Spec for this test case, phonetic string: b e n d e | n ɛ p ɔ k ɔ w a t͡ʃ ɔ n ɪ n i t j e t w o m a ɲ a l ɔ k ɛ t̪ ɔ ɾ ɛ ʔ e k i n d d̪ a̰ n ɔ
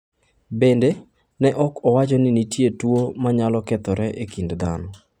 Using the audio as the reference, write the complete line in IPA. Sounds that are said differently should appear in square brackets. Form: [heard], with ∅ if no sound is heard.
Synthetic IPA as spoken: b e n d e | n ɛ [ʔ] ɔ k ɔ w a t͡ʃ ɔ n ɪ n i t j e t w o m a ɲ a l ɔ k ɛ t̪ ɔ ɾ ɛ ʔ e k i n d d̪ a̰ n ɔ

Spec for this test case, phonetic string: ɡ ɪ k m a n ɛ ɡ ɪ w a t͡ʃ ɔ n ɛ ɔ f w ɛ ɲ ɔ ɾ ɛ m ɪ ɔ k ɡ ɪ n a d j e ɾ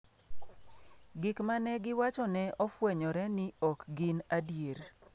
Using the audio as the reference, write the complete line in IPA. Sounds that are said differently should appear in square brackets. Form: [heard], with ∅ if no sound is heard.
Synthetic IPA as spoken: ɡ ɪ k m a n ɛ ɡ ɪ w a t͡ʃ ɔ n ɛ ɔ f w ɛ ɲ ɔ ɾ ɛ [n] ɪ ɔ k ɡ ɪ n a d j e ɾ

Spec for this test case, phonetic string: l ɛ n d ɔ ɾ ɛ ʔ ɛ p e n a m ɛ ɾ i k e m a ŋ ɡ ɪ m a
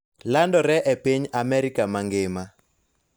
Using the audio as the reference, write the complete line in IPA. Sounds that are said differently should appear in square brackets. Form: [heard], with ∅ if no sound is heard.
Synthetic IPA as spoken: l [a] n d ɔ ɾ ɛ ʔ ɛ p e [ɲ] a m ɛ ɾ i k [a] m a ŋ ɡ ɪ m a

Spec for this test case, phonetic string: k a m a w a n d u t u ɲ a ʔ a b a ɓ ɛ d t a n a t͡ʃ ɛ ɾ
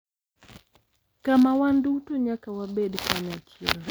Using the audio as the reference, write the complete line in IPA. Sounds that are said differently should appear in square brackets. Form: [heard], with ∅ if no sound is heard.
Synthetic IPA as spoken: k a m a w a n d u t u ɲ a [k] a [w] a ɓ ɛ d [k] a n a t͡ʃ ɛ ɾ

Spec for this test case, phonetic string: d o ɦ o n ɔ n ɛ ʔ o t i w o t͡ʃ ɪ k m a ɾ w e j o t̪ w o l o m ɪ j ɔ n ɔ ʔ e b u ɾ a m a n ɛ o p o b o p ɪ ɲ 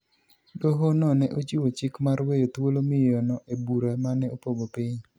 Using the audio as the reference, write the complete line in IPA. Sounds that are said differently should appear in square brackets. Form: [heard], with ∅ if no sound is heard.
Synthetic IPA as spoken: d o ɦ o n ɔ n ɛ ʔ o [t͡ʃ] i w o t͡ʃ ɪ k m a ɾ w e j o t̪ w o l o m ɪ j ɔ n ɔ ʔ e b u ɾ a m a n ɛ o p o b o p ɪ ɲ

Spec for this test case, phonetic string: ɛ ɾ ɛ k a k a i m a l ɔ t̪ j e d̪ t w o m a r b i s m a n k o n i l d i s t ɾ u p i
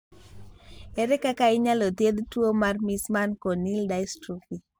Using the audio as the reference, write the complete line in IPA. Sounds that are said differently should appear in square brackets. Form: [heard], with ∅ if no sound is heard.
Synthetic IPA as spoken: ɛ ɾ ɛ k a k a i [ɲ] a l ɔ t̪ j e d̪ t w o m a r [m] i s m a n k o n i l d [a] s t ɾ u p i

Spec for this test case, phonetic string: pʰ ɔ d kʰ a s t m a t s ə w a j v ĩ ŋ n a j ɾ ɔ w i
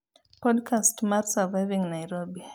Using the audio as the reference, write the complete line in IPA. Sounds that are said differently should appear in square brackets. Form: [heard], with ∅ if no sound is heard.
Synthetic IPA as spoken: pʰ ɔ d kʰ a s t m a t s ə [v] a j v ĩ ŋ n a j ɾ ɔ [b] i

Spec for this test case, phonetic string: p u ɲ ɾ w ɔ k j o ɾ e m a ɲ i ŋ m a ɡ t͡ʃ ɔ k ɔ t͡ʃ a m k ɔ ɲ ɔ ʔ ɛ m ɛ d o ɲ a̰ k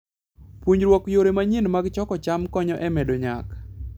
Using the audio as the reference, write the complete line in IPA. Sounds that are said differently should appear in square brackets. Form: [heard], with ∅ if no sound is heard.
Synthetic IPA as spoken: p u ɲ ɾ w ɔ k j o ɾ e m a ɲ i [n] m a ɡ t͡ʃ ɔ k ɔ t͡ʃ a m k ɔ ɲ ɔ ʔ ɛ m ɛ d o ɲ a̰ k

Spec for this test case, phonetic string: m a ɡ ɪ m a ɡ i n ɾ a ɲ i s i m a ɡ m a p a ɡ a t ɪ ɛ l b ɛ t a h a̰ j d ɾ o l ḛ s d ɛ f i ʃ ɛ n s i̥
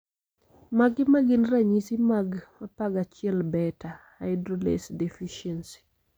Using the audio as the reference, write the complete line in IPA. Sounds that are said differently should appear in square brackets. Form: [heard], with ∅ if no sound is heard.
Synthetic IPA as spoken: m a ɡ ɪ m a ɡ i n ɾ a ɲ i s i m a ɡ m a p a ɡ a [t͡ʃ] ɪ ɛ l b ɛ t a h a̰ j d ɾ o l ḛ s d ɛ f i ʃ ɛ n s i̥

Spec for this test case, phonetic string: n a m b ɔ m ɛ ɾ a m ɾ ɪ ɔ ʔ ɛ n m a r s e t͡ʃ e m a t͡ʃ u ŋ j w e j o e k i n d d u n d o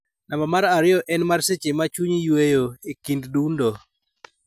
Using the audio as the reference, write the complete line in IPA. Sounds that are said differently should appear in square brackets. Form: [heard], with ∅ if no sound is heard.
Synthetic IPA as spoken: n a m b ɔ m [a] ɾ a [∅] ɾ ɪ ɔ ʔ ɛ n m a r s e t͡ʃ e m a t͡ʃ u [ɲ] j w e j o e k i n d d u n d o

